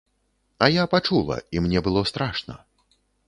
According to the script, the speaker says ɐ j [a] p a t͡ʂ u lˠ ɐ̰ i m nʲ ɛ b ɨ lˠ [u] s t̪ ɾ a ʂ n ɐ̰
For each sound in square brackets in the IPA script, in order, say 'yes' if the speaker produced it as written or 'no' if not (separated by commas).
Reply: yes, no